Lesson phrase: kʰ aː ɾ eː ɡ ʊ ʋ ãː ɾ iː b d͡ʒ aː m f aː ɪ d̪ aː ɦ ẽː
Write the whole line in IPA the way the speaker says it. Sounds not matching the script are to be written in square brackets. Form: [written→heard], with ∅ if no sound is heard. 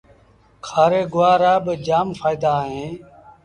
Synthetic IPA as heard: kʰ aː ɾ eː ɡ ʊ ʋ [ãː→aː] ɾ [iː→aː] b d͡ʒ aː m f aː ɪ d̪ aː ɦ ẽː